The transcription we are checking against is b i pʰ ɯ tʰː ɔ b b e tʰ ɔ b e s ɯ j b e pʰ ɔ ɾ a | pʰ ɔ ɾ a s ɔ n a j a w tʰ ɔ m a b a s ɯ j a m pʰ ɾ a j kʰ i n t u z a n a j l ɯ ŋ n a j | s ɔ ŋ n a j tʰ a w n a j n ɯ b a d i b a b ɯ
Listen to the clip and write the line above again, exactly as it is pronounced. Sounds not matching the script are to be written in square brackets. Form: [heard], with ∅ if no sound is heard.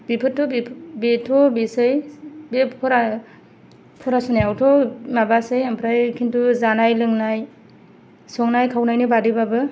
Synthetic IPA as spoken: b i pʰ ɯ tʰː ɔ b b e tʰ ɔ b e s ɯ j b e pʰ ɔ ɾ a | pʰ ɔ ɾ a s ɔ n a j a w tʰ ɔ m a b a s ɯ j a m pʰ ɾ a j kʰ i n t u z a n a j l ɯ ŋ n a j | s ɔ ŋ n a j [kʰ] a w n a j n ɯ b a d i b a b ɯ